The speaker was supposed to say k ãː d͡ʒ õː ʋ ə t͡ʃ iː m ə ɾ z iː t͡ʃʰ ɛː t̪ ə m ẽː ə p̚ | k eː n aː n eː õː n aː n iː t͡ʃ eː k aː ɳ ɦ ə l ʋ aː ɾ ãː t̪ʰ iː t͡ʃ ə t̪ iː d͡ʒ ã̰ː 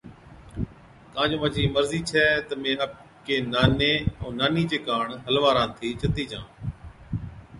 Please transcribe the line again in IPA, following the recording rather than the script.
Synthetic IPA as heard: k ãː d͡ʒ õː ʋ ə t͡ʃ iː m ə ɾ z iː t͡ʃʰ ɛː t̪ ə m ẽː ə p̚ | k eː n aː n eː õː n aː n iː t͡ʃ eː k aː ɳ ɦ ə l ʋ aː ɾ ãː t̪ʰ iː t͡ʃ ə t̪ iː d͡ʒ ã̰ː